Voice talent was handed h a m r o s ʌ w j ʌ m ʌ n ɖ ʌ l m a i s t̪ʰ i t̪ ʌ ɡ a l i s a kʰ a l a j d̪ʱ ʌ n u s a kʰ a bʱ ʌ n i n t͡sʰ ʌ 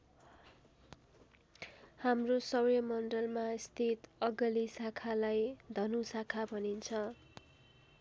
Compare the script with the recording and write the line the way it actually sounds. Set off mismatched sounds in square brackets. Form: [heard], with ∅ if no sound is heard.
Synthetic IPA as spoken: h a m r o s ʌ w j ʌ m ʌ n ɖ ʌ l m a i s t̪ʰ i t̪ ʌ ɡ [ʌ] l i s a kʰ a l a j d̪ʱ ʌ n u s a kʰ a bʱ ʌ n i n t͡sʰ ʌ